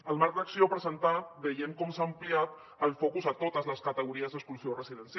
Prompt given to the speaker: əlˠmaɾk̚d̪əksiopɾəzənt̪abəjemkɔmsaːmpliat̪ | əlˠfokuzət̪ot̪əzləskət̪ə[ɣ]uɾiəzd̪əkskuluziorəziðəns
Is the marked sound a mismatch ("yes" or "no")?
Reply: no